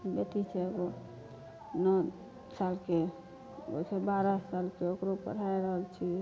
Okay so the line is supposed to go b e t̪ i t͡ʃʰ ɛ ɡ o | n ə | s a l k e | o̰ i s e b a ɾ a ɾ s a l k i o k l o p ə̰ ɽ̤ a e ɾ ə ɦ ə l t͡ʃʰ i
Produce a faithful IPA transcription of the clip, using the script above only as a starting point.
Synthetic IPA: b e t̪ i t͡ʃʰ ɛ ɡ o | n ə | s a l k e | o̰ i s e b a ɾ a s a l k e o k ɾ o p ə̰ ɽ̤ a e ɾ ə ɦ ə l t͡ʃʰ i